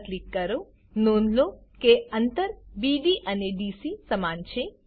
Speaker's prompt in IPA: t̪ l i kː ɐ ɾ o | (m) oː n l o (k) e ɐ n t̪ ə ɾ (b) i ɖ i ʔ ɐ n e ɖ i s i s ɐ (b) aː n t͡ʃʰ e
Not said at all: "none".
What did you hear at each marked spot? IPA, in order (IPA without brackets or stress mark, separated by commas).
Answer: n, k, b, m